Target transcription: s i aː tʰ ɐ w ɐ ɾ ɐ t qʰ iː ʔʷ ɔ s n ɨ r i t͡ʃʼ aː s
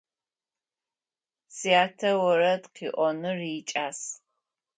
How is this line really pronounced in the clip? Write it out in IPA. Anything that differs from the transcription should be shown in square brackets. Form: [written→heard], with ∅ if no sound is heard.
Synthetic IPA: s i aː tʰ ɐ w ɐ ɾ ɐ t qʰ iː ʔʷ ɔ [s→∅] n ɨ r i t͡ʃʼ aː s